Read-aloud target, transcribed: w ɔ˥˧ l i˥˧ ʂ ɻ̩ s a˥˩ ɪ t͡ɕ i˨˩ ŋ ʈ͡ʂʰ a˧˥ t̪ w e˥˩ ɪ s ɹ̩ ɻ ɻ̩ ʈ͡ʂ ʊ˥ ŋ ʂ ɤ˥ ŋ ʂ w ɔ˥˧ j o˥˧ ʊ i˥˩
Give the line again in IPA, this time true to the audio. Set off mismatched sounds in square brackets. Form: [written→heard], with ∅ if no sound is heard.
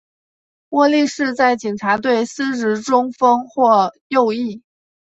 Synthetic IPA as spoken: w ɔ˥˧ l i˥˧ ʂ ɻ̩ [s→t͡s] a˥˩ ɪ t͡ɕ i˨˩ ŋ ʈ͡ʂʰ a˧˥ t̪ w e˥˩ ɪ s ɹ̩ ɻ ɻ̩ ʈ͡ʂ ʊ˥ ŋ [ʂ→f] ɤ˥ ŋ [ʂ→x] w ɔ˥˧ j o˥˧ ʊ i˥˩